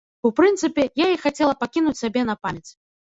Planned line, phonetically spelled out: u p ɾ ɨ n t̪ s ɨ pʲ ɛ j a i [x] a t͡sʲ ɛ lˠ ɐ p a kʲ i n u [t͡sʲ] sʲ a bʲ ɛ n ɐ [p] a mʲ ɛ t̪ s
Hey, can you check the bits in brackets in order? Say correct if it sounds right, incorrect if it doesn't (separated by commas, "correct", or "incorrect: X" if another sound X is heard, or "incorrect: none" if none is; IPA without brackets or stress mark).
correct, correct, correct